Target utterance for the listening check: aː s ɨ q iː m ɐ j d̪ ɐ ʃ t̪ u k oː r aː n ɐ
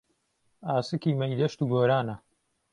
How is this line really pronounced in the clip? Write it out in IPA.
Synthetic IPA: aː s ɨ k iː m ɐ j d̪ ɐ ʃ t̪ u ɡ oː ɾ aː n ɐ